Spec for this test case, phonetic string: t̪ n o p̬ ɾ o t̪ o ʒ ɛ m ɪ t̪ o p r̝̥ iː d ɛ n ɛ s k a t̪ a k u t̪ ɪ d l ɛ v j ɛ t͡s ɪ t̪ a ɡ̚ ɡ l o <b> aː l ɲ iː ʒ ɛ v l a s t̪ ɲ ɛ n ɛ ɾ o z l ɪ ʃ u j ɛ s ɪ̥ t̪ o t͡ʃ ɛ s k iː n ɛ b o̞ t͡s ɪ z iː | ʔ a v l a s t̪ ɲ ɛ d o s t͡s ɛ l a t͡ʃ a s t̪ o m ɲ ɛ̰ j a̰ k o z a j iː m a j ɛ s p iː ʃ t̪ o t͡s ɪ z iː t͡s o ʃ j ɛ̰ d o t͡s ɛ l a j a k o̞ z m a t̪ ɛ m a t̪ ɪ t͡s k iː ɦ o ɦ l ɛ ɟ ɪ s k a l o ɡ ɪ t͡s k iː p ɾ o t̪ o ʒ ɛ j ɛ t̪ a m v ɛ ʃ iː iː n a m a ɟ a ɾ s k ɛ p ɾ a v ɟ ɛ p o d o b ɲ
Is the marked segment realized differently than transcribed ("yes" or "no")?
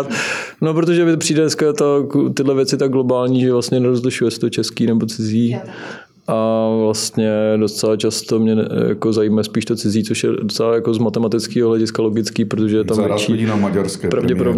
no